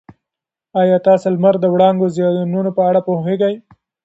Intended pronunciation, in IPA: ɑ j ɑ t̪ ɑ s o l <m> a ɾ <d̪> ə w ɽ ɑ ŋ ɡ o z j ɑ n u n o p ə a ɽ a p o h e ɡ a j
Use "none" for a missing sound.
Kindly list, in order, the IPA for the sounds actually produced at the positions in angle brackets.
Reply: m, d̪

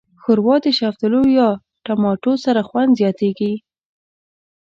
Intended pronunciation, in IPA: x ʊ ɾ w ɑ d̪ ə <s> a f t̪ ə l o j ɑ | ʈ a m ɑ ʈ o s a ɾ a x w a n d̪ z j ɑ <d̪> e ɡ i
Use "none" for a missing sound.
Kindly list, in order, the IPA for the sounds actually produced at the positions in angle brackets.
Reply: ʃ, t̪

